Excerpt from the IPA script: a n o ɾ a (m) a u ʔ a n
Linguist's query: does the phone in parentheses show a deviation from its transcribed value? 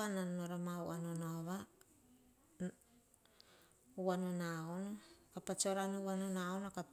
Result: no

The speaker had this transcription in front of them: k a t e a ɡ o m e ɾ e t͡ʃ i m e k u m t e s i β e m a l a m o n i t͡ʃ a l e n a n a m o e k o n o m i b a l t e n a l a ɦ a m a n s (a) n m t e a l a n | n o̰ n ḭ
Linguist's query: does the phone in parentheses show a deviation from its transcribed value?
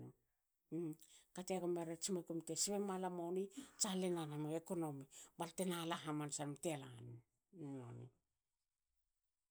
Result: no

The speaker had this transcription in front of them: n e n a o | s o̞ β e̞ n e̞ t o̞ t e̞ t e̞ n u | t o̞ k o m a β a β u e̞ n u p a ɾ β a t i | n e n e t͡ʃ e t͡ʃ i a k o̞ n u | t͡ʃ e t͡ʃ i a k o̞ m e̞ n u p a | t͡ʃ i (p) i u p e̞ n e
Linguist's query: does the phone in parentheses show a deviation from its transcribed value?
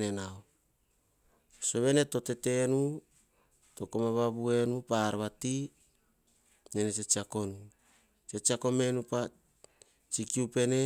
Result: yes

